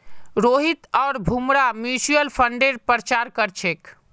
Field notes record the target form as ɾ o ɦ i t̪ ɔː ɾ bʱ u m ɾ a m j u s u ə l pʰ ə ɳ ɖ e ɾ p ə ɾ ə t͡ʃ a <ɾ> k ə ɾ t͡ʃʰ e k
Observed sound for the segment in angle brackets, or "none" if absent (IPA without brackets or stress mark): ɾ